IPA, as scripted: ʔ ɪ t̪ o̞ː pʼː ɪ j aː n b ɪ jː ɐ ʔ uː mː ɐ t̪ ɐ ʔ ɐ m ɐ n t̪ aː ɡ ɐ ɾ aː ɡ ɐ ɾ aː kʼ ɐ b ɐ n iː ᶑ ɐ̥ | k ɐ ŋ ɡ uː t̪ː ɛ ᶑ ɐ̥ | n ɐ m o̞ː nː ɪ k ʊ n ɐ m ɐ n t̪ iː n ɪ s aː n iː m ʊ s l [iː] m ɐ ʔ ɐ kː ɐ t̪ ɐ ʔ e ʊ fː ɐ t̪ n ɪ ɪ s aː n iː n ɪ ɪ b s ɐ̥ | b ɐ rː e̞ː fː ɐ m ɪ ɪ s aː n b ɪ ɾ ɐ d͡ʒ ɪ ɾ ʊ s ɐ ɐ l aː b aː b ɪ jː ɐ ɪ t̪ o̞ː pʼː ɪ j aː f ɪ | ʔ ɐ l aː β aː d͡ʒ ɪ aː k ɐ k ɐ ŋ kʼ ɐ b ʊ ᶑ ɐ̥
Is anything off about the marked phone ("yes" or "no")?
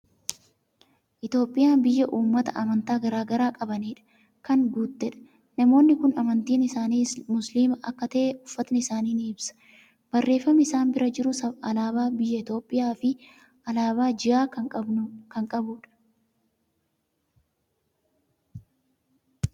no